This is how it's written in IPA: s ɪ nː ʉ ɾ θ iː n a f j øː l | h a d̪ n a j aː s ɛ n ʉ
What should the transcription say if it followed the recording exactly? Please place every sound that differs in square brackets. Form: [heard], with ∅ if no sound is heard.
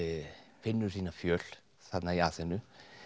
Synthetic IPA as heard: [f] ɪ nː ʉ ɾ [s] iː n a f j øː l | [s] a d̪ n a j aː s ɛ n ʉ